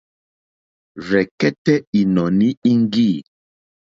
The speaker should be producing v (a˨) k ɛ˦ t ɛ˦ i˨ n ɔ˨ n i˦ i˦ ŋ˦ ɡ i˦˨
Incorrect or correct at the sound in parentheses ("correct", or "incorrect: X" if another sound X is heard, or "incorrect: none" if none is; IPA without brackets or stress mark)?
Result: incorrect: ɛ˨